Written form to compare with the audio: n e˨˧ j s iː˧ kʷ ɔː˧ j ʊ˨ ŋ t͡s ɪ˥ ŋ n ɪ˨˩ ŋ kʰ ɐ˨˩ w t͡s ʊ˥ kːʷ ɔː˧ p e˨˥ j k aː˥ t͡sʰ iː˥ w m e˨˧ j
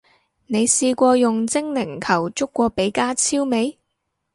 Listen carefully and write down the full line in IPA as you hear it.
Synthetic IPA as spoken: n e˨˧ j s iː˧ kʷ ɔː˧ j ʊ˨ ŋ t͡s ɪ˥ ŋ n ɪ˨˩ ŋ kʰ ɐ˨˩ w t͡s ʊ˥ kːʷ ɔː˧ p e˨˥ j k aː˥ t͡sʰ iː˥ w m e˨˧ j

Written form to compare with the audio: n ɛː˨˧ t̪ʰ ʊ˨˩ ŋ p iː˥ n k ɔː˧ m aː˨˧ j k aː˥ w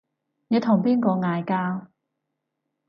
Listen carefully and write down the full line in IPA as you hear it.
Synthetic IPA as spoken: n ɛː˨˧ t̪ʰ ʊ˨˩ ŋ p iː˥ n k ɔː˧ ŋ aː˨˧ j k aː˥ w

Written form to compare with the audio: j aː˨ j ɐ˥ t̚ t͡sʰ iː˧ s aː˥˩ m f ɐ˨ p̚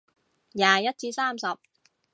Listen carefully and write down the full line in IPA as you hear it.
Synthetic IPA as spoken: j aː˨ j ɐ˥ t̚ t͡s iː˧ s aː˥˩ m s ɐ˨ p̚

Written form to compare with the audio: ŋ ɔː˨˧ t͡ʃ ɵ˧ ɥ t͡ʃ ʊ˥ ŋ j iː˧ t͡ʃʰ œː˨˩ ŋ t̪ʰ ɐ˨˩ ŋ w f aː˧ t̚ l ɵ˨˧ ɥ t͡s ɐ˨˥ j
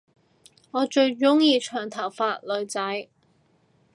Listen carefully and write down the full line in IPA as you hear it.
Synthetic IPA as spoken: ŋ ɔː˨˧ t͡ʃ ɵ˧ ɥ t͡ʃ ʊ˥ ŋ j iː˧ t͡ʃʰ œː˨˩ ŋ t̪ʰ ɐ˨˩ w f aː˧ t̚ l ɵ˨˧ ɥ t͡s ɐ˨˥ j

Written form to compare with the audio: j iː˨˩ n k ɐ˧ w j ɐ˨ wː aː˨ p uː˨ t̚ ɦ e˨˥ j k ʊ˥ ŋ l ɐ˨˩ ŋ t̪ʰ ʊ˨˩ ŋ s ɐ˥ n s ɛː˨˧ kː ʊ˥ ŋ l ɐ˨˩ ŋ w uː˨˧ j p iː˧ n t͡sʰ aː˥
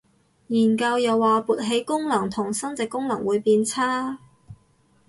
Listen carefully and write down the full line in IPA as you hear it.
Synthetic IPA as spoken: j iː˨˩ n k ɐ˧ w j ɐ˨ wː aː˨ p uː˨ t̚ ɦ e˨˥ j k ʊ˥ ŋ l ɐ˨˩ ŋ t̪ʰ ʊ˨˩ ŋ s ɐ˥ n t͡s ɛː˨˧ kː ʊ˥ ŋ l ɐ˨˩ ŋ w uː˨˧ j p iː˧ n t͡sʰ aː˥

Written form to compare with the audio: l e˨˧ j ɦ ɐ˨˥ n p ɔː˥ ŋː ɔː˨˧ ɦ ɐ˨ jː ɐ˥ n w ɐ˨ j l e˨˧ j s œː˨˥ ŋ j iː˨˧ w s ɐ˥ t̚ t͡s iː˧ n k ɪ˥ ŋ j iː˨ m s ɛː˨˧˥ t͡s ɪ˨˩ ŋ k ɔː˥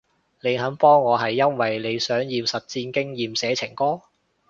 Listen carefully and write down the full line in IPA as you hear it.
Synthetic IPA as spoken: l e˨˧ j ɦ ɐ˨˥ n p ɔː˥ ŋː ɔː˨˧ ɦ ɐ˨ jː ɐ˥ n w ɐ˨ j l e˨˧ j s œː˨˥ ŋ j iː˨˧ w s ɐ˨ t̚ t͡s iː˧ n k ɪ˥ ŋ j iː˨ m s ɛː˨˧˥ t͡sʰ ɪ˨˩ ŋ k ɔː˥

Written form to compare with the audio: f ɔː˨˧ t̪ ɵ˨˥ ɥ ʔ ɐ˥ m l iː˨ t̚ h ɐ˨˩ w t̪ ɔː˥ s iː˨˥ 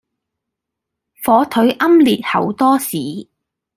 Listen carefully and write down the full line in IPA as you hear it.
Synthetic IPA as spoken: f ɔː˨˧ t̪ʰ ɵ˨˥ ɥ ʔ ɐ˥ m l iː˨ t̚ h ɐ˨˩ w t̪ ɔː˥ s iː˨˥

